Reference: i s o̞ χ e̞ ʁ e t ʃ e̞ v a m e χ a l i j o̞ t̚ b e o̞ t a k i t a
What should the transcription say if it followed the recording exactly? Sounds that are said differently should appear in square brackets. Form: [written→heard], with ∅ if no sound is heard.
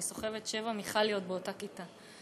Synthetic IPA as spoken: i s o̞ χ e̞ [ʁ→v] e t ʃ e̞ v a m [e→i] χ a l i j o̞ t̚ b e o̞ t a k i t a